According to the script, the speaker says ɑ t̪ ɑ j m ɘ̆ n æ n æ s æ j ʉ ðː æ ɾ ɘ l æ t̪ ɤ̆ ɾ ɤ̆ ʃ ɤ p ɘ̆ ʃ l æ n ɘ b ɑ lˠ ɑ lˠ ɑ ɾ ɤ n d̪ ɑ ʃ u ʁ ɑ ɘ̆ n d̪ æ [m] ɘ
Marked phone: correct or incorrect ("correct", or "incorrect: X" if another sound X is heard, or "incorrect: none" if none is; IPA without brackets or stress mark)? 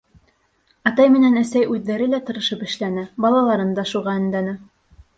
incorrect: n